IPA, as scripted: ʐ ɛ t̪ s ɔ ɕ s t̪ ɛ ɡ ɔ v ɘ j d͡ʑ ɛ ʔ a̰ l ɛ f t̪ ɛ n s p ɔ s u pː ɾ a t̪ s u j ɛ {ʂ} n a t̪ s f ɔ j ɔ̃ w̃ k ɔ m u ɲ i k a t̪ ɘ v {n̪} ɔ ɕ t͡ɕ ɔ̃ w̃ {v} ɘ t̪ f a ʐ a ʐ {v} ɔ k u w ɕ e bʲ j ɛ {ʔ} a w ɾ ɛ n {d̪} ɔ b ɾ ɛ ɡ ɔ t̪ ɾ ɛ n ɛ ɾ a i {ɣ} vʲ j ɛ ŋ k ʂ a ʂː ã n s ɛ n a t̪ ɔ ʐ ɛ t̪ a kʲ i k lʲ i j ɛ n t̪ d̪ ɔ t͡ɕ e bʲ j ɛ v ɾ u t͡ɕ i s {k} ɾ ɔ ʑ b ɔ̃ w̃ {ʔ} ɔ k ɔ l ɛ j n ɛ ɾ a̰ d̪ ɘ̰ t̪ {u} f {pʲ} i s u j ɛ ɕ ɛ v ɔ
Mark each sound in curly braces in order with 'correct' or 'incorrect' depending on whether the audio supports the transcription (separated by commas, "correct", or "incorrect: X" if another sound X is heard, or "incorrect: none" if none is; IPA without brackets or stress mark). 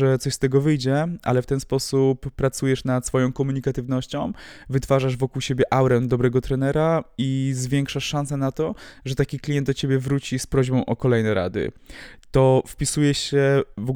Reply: correct, correct, correct, correct, correct, correct, incorrect: z, incorrect: p, correct, incorrect: ɔ, correct